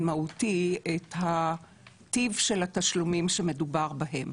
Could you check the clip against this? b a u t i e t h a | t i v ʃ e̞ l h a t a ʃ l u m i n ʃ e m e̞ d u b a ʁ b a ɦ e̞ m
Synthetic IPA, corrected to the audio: m a u t i e t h a | t i v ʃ e̞ l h a t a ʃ l u m i m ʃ e m e̞ d u b a ʁ b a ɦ e̞ m